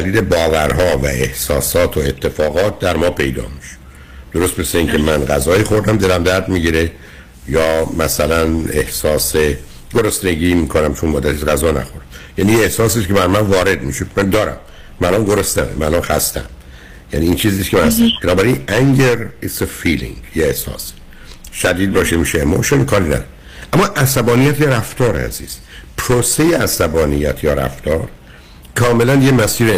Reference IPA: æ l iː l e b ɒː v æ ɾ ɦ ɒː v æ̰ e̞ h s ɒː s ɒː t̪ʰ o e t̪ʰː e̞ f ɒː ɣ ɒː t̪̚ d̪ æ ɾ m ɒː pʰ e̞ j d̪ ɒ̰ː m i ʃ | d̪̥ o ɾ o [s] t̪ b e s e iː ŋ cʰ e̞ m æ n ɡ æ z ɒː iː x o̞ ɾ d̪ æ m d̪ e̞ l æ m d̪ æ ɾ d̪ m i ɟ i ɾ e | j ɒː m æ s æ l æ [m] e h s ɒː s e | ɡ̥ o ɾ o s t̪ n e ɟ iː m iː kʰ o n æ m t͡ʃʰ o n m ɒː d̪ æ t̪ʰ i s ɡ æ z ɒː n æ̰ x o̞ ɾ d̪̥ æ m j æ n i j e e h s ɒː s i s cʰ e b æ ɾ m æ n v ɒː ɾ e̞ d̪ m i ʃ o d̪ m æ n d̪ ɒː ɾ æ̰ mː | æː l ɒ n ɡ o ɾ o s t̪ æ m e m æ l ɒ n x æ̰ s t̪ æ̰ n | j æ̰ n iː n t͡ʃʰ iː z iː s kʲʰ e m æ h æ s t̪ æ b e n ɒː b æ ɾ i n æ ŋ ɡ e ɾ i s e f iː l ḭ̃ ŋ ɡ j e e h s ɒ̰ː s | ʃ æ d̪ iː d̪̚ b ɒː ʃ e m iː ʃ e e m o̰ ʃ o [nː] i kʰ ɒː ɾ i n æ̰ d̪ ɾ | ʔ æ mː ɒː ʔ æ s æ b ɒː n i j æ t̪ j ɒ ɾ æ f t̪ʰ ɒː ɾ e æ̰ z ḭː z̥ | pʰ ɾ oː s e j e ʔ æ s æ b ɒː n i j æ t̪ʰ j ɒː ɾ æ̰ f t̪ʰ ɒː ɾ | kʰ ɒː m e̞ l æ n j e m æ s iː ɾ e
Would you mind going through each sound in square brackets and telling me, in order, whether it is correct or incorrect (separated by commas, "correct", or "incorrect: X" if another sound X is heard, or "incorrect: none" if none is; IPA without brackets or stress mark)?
correct, incorrect: n, incorrect: n